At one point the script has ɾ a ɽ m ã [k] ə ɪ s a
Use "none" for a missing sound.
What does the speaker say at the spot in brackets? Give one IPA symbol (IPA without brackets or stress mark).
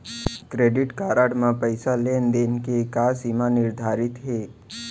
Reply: p